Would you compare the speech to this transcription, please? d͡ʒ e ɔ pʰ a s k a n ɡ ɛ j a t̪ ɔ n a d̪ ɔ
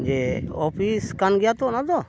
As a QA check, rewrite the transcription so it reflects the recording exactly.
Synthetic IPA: d͡ʒ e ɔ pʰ i s k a n ɡ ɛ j a t̪ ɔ n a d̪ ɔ